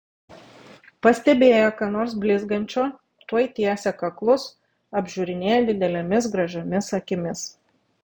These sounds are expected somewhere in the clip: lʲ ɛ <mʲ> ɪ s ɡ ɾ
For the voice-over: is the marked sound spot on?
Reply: yes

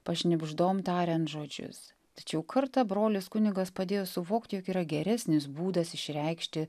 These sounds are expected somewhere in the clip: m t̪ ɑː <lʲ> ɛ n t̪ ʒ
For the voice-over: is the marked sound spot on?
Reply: no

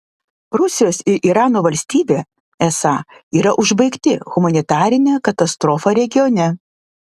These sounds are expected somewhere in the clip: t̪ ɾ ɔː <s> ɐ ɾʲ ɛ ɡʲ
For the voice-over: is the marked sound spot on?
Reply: no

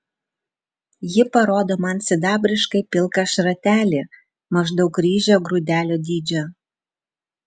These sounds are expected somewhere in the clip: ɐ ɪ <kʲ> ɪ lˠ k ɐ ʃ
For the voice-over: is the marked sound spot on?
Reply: no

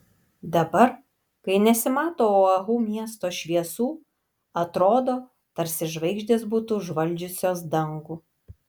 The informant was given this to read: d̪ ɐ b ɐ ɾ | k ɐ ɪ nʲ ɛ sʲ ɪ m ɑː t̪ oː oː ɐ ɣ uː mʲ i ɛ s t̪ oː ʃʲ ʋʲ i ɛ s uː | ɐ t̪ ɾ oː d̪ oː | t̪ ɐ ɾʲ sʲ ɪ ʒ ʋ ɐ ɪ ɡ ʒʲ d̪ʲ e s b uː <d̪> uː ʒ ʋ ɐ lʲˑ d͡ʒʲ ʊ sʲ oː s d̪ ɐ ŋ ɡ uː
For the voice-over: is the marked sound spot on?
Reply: no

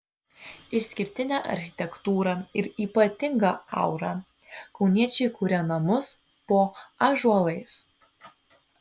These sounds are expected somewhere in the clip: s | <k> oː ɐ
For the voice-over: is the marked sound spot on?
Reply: no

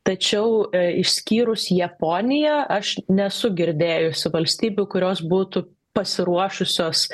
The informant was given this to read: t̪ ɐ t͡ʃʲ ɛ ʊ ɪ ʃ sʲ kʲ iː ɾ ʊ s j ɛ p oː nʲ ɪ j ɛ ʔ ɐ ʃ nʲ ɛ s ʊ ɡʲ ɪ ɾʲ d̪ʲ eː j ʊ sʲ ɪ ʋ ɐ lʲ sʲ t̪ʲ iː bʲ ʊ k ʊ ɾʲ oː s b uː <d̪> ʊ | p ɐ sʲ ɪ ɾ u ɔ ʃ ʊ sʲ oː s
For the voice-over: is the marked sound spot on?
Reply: no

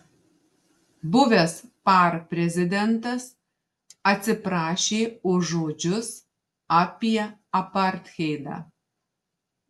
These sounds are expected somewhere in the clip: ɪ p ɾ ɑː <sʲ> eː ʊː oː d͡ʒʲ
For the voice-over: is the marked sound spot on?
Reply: no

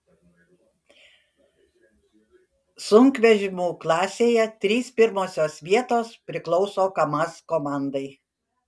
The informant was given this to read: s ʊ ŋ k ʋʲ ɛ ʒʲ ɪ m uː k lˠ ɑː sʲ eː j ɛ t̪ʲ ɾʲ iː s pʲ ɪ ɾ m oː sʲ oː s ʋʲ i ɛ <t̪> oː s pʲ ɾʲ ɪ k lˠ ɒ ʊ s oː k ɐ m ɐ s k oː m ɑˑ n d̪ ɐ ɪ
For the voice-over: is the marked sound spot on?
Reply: yes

